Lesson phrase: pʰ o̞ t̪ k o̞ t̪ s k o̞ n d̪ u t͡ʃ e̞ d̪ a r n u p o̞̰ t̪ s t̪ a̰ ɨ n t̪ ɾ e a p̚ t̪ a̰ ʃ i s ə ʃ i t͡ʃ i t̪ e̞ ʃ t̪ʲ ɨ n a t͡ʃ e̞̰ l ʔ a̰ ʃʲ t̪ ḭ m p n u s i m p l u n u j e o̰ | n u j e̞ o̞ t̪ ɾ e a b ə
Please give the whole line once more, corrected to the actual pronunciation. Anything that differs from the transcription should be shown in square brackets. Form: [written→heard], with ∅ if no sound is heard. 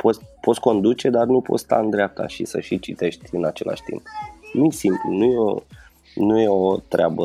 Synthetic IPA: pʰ o̞ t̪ [k→p] o̞ t̪ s k o̞ n d̪ u t͡ʃ e̞ d̪ a r n u p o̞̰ t̪ s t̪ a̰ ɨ n [t̪→d̪] ɾ e a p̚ t̪ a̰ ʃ i s ə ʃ i t͡ʃ i t̪ e̞ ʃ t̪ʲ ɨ n a t͡ʃ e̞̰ l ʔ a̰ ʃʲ t̪ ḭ m p n u s i m p l u n u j e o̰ | n u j e̞ o̞ t̪ ɾ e a b ə